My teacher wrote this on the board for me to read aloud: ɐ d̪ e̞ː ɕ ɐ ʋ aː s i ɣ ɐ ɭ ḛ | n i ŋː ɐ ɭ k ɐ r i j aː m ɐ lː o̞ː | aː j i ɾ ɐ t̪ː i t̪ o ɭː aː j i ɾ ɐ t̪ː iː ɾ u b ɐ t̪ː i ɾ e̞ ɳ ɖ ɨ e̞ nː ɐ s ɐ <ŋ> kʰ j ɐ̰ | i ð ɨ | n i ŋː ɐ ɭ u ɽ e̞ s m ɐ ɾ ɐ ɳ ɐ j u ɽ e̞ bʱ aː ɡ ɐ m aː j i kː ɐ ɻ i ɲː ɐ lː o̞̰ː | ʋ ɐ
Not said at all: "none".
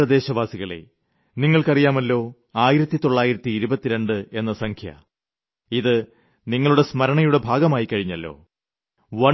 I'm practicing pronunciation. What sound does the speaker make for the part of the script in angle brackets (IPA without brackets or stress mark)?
ŋ